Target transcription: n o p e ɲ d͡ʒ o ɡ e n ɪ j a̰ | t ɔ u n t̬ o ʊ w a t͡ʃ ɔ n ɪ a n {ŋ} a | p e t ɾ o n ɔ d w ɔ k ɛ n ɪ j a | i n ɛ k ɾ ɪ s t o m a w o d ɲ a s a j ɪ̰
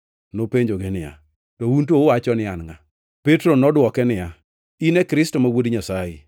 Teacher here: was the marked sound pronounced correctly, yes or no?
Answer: yes